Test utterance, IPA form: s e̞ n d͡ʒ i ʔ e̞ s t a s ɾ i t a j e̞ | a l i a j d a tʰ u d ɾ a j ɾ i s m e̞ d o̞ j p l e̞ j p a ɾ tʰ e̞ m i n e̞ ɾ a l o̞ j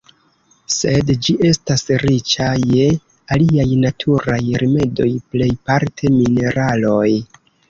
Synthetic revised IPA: s e̞ d d͡ʒ i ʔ e̞ s t a s ɾ i t͡ʃ a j e̞ | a l i a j n a tʰ u ɾ a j ɾ i m e̞ d o̞ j p l e̞ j p a ɾ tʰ e̞ m i n e̞ ɾ a l o̞ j